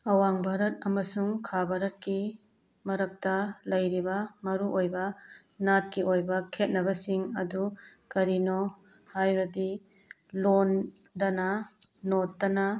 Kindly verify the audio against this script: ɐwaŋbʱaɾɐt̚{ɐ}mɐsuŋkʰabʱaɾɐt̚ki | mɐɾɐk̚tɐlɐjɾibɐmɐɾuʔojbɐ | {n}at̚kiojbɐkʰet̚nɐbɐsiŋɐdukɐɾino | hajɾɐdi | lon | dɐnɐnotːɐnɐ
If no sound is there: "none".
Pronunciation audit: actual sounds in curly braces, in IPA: ɐ, n

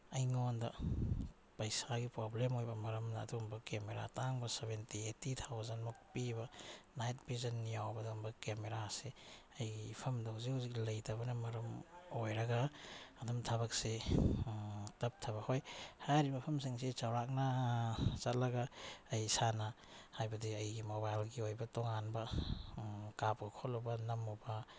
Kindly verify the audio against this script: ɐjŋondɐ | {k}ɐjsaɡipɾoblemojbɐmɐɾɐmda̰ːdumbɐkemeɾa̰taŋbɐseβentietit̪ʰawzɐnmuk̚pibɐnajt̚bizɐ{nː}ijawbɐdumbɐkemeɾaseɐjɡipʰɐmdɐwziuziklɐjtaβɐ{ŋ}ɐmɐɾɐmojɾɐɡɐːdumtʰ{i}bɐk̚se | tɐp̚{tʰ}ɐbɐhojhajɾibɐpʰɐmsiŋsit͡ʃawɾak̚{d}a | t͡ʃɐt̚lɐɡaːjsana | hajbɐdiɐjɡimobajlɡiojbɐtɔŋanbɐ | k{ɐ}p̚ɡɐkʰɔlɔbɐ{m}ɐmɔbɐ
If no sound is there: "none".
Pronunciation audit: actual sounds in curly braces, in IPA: p, nː, n, a, tʰ, n, a, n

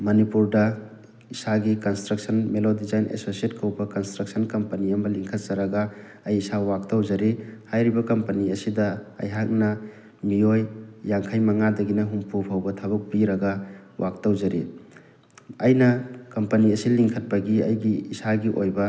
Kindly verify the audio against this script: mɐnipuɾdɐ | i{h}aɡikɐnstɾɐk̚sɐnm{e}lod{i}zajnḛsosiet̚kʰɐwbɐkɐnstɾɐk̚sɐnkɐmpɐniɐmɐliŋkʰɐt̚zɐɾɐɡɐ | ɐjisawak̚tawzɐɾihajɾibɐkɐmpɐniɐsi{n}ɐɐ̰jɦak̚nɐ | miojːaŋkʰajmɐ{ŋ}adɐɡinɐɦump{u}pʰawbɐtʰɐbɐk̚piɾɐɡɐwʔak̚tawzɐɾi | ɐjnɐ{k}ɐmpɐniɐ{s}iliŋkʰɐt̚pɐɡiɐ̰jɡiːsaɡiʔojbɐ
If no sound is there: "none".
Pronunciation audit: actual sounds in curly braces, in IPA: s, e, i, d, ŋ, u, k, s

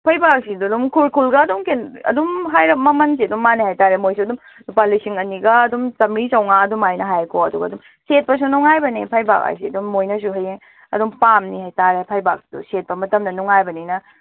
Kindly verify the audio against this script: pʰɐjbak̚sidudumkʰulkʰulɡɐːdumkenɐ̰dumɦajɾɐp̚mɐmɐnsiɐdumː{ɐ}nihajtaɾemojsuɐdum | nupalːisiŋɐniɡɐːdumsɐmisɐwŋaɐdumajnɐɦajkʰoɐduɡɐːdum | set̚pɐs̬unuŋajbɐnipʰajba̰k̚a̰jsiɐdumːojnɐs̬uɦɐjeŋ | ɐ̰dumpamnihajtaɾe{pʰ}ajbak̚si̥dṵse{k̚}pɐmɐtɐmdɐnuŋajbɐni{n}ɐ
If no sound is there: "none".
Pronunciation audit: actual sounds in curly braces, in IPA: a, pʰ, t̚, n

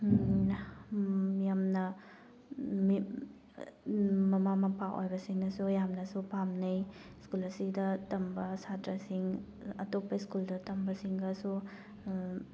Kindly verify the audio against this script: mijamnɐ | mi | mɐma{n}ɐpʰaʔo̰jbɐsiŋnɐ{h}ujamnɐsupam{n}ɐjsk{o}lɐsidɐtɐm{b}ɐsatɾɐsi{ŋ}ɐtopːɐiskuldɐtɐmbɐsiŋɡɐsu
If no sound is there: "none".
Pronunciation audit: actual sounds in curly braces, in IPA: m, s, n, u, b, ŋ

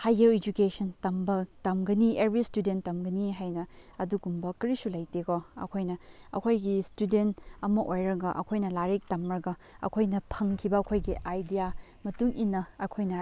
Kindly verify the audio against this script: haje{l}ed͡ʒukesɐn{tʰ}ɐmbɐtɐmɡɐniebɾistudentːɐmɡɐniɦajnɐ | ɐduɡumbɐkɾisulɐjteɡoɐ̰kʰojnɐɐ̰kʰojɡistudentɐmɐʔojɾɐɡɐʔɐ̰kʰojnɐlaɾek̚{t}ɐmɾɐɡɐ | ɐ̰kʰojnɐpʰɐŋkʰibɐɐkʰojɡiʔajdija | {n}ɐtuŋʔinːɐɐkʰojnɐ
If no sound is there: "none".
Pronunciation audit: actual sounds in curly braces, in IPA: ɾ, t, t, m

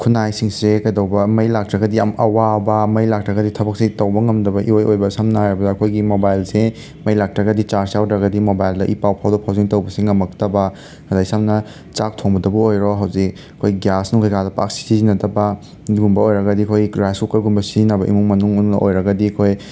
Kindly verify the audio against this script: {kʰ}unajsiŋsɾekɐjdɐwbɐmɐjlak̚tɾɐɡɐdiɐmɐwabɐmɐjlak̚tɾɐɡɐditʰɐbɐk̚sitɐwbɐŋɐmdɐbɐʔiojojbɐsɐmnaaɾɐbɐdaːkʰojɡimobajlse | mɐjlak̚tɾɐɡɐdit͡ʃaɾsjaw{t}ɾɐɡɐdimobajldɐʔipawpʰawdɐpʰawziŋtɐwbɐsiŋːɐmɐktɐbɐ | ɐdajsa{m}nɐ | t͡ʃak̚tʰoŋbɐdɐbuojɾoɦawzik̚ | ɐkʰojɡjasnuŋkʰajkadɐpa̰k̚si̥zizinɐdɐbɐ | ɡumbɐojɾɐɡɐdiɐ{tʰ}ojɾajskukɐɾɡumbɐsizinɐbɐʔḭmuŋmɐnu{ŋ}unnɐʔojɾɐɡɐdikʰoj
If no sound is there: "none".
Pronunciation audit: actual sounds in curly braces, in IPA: kʰ, d, m, kʰ, ŋ

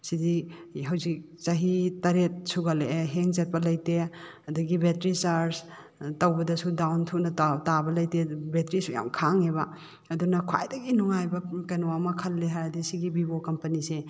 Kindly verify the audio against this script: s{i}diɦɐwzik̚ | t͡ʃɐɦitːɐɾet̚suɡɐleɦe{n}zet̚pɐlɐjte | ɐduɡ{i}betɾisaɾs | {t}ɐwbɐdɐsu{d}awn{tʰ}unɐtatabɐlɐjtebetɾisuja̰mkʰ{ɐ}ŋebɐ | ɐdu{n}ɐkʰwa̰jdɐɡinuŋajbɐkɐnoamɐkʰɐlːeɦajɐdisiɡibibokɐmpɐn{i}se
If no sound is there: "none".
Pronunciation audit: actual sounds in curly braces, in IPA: i, ŋ, i, t, d, tʰ, a, n, i

